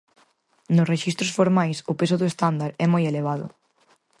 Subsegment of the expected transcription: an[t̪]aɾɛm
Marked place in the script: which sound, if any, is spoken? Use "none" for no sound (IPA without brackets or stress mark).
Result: d̪